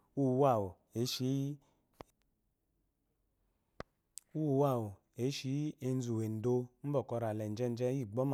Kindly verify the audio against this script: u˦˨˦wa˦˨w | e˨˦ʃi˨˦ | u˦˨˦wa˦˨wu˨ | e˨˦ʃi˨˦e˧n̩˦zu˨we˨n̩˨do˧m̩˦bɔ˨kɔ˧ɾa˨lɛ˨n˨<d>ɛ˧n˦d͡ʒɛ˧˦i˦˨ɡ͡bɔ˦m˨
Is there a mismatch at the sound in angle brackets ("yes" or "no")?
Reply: yes